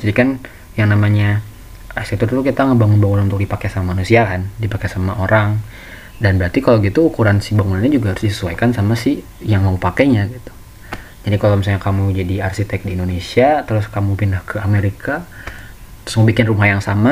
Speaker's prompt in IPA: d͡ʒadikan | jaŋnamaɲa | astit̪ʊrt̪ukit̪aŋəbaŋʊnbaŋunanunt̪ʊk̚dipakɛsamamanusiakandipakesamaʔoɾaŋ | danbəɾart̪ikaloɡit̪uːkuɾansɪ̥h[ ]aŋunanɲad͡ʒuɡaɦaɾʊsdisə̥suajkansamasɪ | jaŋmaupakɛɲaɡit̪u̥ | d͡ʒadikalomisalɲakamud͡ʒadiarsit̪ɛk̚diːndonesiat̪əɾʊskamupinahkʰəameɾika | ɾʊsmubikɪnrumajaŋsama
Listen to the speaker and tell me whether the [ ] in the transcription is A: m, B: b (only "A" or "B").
B